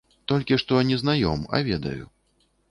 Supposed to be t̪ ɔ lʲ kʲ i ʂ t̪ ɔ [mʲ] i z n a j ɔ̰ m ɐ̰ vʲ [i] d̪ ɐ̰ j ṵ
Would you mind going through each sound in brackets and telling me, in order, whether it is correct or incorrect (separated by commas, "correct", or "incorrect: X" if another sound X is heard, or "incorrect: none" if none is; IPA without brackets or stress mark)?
incorrect: nʲ, incorrect: ɛ